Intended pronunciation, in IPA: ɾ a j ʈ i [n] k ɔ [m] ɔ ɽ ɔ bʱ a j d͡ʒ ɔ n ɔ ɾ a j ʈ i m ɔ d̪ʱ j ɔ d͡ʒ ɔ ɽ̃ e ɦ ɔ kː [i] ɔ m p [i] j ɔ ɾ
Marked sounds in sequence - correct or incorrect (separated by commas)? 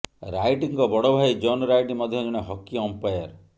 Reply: incorrect, incorrect, correct, incorrect